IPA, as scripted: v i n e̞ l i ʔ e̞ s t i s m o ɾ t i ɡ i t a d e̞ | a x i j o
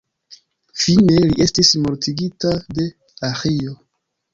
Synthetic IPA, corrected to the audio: f i n e̞ l i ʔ e̞ s t i s m o ɾ t i ɡ i t a d e̞ | a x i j o